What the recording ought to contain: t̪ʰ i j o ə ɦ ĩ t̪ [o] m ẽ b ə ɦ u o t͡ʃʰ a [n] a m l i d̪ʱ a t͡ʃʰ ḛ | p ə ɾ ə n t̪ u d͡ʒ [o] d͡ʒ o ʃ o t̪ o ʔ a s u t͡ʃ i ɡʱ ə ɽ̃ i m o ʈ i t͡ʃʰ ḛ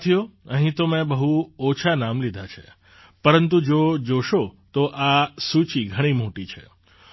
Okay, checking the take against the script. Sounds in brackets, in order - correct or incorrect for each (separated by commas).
correct, correct, correct